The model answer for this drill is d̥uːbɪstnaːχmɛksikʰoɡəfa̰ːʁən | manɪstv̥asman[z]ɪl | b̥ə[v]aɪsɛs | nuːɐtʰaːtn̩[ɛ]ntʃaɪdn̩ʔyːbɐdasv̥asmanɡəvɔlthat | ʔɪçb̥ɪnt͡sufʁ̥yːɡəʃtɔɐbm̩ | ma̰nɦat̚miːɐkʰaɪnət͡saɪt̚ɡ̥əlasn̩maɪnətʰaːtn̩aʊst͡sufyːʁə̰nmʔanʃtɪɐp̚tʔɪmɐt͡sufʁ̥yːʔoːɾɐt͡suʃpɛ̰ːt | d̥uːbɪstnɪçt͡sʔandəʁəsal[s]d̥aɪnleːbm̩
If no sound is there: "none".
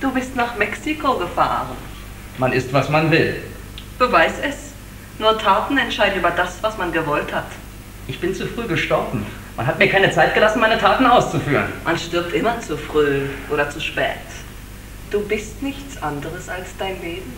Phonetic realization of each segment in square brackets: v, v, ɛ, s

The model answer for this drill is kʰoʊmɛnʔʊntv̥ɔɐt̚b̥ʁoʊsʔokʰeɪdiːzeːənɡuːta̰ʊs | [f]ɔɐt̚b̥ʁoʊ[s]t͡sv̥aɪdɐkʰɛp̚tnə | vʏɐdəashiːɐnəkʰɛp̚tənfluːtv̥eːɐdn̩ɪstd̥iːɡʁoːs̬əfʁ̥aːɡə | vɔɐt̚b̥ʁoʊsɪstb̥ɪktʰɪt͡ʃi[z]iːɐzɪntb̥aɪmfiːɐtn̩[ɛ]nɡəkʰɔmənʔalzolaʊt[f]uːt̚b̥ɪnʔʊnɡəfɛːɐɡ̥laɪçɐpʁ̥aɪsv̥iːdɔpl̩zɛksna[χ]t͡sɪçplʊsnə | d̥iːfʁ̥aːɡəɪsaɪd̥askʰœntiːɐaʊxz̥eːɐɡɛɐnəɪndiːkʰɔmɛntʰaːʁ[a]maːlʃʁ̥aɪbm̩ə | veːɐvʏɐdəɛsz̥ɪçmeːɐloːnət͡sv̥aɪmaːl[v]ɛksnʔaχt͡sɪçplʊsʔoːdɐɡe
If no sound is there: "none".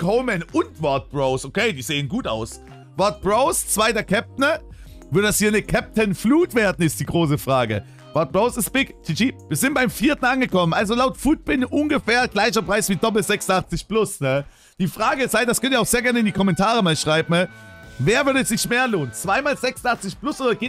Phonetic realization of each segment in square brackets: v, s, v, a, f, χ, ə, z

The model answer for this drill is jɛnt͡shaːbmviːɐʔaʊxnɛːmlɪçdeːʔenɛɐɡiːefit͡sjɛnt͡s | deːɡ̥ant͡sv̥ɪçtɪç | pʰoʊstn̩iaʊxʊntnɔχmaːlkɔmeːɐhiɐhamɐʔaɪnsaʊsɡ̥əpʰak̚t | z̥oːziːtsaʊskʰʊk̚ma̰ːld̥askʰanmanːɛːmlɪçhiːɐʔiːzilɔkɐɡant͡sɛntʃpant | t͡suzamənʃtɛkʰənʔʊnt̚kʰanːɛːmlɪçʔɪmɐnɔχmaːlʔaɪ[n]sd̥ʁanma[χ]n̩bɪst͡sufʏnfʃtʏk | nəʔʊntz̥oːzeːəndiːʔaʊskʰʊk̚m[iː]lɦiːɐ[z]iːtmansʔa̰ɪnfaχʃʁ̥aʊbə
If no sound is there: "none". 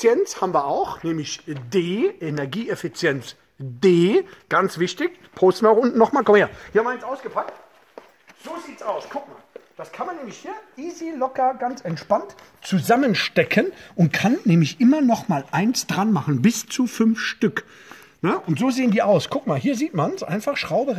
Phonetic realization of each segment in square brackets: n, χ, aː, z

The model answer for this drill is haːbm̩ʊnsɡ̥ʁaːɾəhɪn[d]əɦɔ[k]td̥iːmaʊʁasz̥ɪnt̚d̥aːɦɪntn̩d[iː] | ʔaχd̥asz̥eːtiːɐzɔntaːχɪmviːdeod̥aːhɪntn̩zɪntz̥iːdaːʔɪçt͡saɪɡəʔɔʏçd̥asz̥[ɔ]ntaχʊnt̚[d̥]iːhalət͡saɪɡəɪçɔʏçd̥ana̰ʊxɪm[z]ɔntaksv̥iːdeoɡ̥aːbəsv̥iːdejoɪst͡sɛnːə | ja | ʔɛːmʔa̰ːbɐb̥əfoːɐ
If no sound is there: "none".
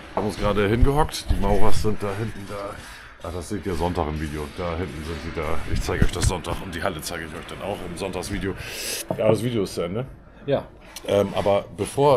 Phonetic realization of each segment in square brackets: ɡ, k, aː, ɔ, d̥, z

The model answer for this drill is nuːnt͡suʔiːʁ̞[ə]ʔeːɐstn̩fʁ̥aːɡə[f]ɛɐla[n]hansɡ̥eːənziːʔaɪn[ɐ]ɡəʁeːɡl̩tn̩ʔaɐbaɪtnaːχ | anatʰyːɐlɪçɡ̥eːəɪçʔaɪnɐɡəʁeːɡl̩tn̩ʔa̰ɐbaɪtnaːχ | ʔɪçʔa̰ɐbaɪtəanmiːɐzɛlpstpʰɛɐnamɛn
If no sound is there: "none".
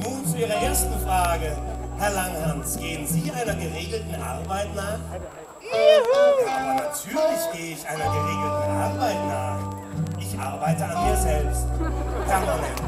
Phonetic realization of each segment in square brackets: ɐ, h, ŋ, ɐ

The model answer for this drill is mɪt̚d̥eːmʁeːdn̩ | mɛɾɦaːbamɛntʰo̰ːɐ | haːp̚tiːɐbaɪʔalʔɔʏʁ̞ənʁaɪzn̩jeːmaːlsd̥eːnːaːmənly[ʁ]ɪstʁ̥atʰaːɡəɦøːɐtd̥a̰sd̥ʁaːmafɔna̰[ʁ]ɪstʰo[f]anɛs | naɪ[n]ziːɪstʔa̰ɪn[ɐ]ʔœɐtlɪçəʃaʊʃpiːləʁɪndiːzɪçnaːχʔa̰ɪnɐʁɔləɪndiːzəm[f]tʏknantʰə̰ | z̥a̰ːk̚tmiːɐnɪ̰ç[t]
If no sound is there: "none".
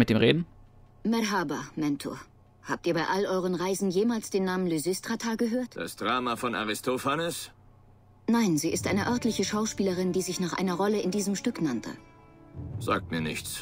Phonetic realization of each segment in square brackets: z, ʁ, f, n, ə, ʃ, t͡s

